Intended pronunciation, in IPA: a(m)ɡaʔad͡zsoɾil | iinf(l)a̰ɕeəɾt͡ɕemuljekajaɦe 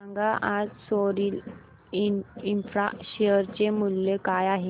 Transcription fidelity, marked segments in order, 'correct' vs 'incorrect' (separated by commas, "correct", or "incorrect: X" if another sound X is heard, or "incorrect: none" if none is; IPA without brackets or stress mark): incorrect: ŋ, incorrect: ɾ